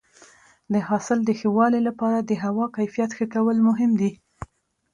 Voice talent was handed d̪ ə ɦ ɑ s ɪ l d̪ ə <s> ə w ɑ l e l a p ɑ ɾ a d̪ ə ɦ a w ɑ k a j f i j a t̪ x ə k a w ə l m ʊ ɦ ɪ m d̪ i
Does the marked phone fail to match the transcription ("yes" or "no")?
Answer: yes